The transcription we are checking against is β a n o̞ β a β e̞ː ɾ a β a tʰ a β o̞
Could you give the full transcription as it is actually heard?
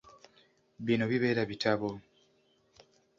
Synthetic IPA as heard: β i n o̞ β i β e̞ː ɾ a β i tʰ a β o̞